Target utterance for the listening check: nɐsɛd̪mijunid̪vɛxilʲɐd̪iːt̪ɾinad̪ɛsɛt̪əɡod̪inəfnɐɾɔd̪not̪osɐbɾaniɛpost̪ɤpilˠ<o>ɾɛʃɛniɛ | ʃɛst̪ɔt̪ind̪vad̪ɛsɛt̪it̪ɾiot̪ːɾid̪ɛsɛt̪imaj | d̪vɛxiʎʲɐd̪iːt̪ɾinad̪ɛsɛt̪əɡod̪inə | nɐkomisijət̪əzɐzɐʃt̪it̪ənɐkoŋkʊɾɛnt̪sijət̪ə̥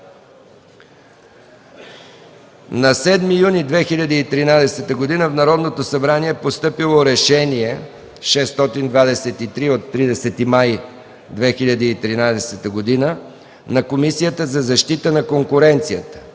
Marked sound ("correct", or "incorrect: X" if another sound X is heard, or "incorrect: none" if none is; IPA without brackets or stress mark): correct